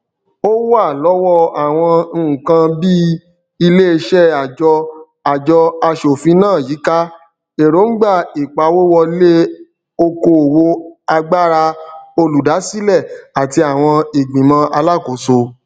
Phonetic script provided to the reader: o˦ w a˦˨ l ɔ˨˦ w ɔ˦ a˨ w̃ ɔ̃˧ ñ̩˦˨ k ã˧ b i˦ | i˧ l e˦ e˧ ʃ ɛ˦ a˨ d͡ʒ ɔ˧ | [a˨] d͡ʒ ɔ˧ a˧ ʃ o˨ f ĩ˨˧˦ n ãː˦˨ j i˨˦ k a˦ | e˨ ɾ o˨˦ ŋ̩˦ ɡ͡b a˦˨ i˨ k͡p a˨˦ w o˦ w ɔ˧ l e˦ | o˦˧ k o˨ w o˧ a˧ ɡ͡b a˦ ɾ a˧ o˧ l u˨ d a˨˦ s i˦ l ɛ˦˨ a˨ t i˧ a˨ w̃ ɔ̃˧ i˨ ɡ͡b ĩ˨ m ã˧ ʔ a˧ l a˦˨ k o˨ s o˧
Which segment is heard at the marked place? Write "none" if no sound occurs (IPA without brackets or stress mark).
a˨